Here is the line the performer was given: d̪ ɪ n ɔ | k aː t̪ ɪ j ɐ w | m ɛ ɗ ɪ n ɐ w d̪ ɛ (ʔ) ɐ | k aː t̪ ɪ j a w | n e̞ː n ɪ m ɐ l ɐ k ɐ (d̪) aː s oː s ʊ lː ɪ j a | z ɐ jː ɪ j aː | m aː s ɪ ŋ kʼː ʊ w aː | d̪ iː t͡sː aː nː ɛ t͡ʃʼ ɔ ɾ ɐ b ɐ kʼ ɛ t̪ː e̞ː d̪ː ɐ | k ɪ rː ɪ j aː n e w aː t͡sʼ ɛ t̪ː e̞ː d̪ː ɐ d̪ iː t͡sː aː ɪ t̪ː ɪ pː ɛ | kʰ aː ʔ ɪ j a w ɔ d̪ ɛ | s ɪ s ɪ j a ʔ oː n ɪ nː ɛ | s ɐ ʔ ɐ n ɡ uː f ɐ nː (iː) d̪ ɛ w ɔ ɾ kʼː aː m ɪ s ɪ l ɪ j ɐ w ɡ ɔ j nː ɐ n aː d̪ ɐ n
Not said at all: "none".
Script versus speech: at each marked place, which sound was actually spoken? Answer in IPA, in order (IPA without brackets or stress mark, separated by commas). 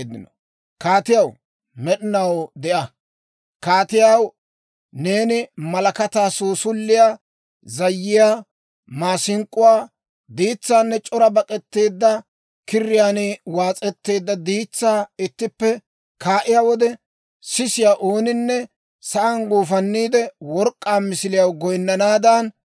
ʔ, t̪, iː